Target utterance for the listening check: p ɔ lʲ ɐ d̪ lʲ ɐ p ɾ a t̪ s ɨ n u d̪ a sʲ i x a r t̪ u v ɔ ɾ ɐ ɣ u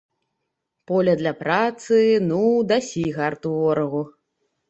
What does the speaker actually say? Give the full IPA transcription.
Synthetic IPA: p ɔ lʲ ɐ d̪ lʲ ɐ p ɾ a t̪ s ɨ n u d̪ a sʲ i ɣ a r t̪ u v ɔ ɾ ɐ ɣ u